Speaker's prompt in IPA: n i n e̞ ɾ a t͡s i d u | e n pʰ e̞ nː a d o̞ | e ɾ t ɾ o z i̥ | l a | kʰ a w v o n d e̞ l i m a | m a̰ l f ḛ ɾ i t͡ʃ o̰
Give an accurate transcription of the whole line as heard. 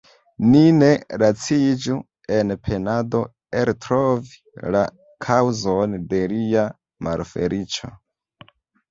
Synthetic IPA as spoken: n i n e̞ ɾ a t͡s i d͡ʒ u | e n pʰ e̞ n a d o̞ | e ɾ t ɾ o v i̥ | l a | kʰ a w z o n d e̞ l i a | m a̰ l f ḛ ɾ i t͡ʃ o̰